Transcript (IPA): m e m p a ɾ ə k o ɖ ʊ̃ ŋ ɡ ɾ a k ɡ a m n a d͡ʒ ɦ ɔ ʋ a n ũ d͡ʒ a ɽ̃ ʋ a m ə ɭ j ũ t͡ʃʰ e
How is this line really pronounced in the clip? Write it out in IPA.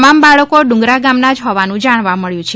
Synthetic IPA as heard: m a m b a ɭ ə k o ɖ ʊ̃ ŋ ɡ ɾ a ɡ a m n a d͡ʒ ɦ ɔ ʋ a n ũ d͡ʒ a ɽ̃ ʋ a m ə ɭ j ũ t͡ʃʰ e